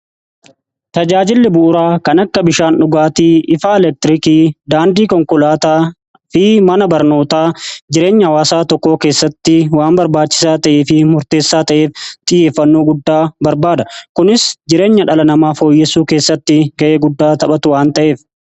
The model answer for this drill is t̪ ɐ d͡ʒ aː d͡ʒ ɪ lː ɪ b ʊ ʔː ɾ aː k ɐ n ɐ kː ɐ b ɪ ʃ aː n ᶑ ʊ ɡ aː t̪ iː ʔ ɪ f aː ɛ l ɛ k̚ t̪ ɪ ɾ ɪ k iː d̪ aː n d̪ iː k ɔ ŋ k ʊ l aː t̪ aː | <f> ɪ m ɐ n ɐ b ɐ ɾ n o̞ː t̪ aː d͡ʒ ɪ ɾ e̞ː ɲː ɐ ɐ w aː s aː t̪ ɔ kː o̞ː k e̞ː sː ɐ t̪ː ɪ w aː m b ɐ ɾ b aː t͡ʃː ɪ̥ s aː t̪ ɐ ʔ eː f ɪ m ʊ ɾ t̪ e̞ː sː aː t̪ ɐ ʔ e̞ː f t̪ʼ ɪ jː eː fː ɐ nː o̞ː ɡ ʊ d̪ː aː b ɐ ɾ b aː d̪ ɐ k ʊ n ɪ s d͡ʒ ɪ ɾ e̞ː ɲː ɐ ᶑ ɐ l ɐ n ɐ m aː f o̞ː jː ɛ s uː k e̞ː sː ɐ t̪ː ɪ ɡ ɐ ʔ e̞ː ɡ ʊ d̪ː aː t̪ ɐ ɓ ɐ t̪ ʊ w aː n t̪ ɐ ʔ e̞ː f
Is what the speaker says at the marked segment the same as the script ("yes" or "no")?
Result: yes